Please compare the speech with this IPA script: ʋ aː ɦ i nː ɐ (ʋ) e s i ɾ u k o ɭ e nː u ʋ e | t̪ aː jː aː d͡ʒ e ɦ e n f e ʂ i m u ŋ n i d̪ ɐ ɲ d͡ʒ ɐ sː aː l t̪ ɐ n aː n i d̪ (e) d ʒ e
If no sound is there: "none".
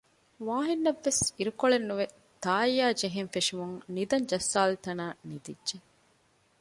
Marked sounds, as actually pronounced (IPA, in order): ʋː, i

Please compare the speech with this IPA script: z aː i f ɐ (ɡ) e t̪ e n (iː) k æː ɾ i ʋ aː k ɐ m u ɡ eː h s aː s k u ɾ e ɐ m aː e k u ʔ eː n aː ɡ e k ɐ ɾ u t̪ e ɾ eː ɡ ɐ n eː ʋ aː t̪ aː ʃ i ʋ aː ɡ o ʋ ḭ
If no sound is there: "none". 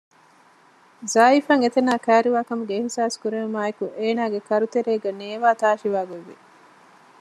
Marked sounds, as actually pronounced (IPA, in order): ŋ, aː

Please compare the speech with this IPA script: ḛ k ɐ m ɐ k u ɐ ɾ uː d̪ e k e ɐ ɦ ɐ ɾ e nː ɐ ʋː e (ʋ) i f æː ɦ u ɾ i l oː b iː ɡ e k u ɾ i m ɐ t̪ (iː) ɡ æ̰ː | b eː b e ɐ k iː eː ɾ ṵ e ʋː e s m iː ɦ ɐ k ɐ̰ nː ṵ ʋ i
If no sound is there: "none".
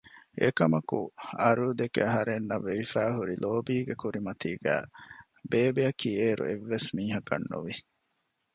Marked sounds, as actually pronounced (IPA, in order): ʋ, iː

